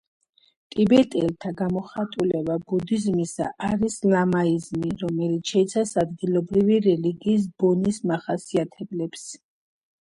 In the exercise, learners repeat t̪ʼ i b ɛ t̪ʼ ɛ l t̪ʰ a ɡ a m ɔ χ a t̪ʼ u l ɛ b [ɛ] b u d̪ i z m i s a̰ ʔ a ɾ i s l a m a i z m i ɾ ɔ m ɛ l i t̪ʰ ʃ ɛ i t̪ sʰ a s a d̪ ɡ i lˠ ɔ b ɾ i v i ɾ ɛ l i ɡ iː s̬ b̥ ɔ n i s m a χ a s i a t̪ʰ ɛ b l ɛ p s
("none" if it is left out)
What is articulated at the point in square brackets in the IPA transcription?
a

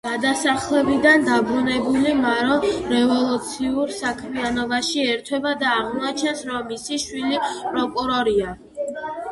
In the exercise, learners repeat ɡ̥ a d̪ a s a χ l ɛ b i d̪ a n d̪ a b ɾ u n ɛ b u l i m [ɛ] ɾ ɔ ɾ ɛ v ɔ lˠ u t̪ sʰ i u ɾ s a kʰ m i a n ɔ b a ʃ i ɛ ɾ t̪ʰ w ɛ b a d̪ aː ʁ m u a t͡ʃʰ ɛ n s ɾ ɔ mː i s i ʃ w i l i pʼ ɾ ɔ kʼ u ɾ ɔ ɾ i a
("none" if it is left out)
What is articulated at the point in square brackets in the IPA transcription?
a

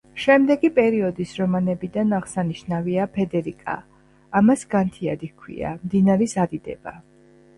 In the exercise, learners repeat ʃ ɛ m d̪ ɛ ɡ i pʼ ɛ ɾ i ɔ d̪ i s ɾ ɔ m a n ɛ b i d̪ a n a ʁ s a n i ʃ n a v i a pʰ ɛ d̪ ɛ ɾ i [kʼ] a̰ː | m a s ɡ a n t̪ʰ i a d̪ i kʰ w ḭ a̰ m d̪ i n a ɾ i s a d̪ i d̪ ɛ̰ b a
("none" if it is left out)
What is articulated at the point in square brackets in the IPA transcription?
kʼ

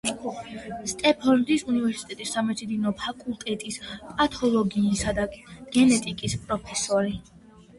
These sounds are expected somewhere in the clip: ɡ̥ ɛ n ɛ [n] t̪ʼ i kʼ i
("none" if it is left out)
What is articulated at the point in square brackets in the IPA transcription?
none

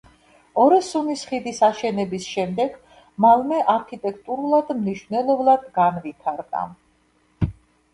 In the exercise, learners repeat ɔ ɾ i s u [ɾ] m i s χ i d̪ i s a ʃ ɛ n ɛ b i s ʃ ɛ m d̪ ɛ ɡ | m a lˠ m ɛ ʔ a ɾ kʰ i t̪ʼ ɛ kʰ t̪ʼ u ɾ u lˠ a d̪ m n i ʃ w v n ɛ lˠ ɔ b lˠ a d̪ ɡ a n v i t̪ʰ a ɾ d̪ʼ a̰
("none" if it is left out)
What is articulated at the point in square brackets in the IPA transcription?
none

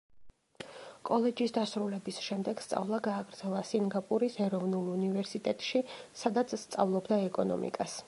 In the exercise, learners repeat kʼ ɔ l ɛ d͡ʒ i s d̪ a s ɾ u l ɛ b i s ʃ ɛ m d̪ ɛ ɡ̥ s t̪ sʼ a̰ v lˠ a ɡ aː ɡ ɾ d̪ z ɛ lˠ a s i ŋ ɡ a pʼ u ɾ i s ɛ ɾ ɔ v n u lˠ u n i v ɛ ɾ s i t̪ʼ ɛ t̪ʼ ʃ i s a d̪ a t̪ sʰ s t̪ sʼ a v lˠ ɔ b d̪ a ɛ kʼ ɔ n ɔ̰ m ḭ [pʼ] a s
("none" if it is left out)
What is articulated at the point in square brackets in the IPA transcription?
kʼ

